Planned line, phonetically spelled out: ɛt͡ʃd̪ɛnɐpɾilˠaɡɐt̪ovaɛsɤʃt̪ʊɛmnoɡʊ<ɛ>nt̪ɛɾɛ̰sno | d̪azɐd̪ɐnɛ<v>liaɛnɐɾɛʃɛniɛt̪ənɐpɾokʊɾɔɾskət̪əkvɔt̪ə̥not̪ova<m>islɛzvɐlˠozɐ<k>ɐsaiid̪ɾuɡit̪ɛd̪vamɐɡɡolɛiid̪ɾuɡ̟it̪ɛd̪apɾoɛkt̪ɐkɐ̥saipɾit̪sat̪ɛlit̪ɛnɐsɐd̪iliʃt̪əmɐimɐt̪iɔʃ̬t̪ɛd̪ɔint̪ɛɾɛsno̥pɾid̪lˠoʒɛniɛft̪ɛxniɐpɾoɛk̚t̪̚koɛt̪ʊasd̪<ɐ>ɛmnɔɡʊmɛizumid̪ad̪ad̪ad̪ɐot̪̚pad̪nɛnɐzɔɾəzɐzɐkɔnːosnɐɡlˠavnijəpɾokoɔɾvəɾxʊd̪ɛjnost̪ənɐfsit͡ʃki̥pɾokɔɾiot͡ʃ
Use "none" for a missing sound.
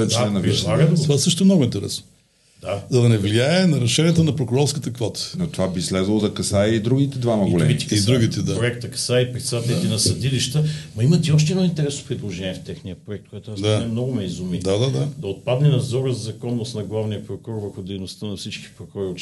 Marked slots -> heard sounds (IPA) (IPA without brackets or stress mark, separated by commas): i, v, b, k, a